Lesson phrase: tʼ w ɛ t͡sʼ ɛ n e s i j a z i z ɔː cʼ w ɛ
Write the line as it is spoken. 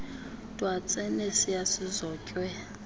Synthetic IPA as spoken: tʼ w a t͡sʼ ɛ n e s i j a s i z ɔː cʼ w ɛ